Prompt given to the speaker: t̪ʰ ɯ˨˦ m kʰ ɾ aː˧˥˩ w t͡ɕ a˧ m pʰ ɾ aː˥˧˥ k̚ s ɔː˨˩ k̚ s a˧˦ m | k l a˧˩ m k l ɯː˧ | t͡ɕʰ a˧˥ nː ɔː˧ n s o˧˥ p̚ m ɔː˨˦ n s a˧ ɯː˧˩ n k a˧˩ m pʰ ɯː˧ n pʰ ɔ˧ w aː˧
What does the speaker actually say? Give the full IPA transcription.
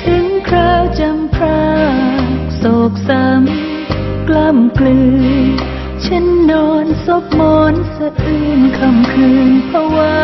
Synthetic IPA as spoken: t̪ʰ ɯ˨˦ ŋ kʰ ɾ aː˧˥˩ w t͡ɕ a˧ m pʰ ɾ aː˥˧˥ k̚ s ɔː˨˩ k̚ s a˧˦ m | k l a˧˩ m k l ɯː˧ | t͡ɕʰ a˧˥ nː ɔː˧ n s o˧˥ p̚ m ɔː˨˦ n s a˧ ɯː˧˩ n kʰ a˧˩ m kʰ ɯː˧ n pʰ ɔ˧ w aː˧

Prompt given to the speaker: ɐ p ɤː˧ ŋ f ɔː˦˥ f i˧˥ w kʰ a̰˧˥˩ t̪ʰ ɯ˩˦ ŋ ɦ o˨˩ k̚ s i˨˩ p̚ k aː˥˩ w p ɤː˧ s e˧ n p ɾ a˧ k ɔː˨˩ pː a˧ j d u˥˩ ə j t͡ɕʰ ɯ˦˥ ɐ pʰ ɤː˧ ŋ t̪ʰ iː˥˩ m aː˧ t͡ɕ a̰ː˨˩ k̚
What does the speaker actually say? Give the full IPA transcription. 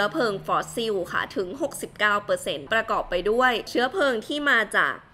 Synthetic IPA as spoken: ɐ pʰ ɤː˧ ŋ f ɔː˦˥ s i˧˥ w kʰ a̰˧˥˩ t̪ʰ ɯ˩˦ ŋ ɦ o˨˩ k̚ s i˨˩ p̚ k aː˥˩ w p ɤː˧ s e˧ n p ɾ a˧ k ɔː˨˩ pː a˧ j d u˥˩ ə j t͡ɕʰ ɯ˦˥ ɐ pʰ ɤː˧ ŋ t̪ʰ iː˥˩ m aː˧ t͡ɕ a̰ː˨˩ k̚

